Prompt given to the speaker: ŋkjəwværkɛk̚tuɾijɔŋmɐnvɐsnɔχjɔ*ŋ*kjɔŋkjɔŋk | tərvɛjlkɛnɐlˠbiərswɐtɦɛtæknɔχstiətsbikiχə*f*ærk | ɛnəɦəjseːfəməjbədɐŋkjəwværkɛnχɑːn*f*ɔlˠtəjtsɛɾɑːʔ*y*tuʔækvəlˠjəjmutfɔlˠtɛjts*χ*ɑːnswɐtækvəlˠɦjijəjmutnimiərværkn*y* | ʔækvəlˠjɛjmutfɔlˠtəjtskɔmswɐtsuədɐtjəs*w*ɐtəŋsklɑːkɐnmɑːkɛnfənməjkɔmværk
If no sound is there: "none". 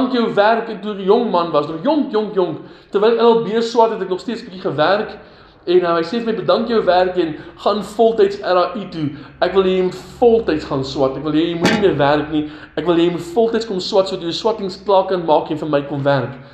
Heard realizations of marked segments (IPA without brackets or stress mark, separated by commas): ŋ, v, f, i, χ, i, w